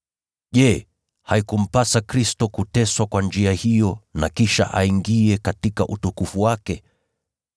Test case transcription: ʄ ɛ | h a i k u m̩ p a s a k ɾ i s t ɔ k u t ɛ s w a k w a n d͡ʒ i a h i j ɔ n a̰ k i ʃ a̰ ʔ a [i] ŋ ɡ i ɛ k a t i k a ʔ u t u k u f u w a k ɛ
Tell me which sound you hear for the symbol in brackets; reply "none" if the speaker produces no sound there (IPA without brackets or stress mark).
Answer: i